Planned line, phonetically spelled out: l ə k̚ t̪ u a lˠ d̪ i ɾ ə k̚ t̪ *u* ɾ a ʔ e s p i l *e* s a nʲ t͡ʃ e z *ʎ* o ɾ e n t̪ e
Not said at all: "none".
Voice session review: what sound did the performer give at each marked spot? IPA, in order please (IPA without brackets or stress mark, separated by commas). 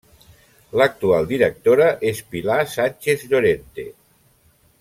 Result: o, a, ʎ